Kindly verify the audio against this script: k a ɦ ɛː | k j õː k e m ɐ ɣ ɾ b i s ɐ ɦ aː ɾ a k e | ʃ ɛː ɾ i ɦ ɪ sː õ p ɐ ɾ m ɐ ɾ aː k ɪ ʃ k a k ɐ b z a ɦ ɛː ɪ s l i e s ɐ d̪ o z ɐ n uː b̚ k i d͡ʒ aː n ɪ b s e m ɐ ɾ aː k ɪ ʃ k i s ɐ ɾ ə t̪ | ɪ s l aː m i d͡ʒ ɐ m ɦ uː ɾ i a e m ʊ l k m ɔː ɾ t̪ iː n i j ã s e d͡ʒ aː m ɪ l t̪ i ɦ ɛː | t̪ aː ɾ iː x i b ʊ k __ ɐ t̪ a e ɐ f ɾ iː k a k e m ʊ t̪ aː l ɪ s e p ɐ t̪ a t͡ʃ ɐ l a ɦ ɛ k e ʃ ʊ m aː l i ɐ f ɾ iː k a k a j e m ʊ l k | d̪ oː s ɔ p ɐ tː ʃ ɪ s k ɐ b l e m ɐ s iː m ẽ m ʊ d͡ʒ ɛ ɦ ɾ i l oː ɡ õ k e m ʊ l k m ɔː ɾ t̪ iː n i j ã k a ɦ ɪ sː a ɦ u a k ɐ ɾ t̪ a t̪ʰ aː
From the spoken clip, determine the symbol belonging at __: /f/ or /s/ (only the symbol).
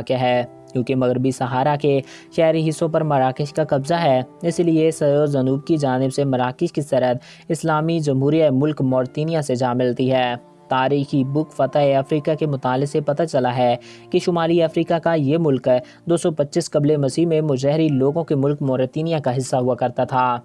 f